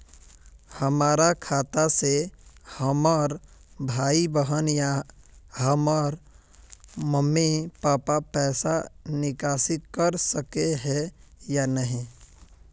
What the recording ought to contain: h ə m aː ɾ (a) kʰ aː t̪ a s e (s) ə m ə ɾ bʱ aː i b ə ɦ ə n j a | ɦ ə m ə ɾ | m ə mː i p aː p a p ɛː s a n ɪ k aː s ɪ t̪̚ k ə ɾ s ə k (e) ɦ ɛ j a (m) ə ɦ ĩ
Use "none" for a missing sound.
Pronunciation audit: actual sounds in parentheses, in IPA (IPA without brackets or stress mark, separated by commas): a, h, e, n